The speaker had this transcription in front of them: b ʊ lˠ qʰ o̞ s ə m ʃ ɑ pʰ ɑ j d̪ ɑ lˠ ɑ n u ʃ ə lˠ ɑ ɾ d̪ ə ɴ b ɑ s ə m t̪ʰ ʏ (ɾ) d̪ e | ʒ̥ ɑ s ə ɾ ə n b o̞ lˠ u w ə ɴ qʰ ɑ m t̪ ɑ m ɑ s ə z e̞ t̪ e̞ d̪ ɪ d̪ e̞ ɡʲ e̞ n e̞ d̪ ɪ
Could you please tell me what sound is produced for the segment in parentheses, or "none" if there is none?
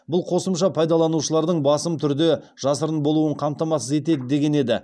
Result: ɾ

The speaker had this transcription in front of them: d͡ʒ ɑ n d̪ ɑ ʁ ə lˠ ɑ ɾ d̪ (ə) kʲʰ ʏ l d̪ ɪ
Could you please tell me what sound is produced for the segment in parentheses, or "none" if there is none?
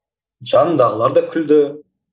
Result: ɑ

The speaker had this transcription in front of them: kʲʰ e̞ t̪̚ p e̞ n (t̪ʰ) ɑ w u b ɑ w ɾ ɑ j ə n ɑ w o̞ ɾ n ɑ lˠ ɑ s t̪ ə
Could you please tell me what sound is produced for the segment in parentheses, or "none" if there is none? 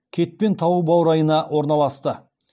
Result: t̪ʰ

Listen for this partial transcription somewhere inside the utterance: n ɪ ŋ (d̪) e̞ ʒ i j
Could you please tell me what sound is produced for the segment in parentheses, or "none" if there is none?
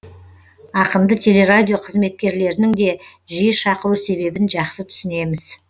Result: d̪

